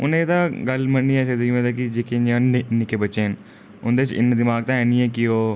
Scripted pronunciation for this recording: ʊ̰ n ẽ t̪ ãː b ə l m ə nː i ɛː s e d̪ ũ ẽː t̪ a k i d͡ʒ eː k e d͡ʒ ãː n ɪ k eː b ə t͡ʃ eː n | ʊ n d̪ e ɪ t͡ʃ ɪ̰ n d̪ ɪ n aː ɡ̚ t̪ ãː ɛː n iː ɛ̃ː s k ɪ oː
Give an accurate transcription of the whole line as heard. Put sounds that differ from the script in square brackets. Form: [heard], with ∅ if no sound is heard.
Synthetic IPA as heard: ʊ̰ n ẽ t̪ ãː [ɡ] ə l m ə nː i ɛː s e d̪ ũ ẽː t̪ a k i d͡ʒ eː k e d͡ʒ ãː n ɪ k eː b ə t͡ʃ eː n | ʊ n d̪ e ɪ t͡ʃ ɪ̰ n d̪ ɪ [m] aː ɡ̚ t̪ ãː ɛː n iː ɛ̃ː [∅] k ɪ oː